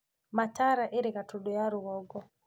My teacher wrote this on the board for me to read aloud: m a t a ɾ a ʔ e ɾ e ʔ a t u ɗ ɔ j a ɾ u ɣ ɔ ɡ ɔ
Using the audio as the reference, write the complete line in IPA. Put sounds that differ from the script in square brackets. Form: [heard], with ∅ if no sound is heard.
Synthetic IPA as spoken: m a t a ɾ a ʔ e ɾ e [k] a t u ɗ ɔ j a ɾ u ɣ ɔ ɡ ɔ